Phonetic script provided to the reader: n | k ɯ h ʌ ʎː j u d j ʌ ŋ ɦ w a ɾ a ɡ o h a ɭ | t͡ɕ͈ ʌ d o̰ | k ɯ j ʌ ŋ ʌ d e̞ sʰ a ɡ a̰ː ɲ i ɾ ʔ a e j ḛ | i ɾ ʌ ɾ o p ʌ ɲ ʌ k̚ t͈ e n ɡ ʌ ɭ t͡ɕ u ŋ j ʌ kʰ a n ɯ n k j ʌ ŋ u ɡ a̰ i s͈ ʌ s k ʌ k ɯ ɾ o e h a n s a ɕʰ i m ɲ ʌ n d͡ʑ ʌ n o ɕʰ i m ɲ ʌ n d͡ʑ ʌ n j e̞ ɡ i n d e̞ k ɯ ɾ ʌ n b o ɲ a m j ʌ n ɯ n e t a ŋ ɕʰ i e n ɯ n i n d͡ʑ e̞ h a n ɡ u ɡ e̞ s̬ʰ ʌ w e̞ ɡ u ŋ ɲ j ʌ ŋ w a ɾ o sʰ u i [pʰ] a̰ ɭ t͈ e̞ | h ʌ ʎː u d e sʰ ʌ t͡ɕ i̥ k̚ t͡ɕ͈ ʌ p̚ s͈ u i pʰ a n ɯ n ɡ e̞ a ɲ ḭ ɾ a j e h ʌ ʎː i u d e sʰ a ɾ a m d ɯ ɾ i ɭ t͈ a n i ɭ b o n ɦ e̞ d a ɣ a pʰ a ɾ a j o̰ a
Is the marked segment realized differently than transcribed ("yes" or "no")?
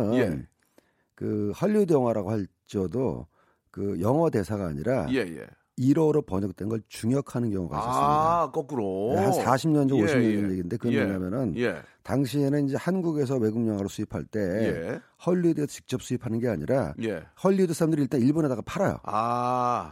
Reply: no